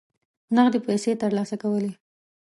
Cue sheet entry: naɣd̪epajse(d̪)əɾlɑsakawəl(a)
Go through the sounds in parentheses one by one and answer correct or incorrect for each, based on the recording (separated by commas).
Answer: incorrect, incorrect